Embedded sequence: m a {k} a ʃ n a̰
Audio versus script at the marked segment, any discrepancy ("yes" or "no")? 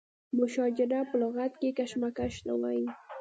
no